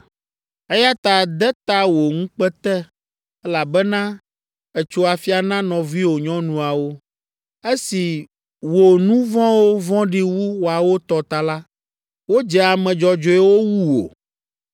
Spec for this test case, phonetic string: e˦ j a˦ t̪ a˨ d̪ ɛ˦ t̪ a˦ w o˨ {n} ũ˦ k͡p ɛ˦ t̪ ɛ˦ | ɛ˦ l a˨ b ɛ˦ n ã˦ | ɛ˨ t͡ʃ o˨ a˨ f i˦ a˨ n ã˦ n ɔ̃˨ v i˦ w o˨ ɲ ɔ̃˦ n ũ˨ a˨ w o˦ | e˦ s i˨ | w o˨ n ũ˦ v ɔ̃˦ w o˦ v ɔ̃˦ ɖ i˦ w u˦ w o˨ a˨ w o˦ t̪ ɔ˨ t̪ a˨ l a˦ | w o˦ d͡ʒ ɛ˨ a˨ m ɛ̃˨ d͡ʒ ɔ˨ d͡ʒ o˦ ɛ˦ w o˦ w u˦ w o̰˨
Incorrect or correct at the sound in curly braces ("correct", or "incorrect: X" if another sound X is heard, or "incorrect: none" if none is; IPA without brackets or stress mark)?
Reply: incorrect: ŋ